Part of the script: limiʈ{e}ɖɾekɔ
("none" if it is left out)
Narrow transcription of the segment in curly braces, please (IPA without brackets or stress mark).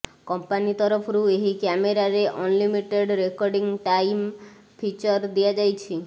e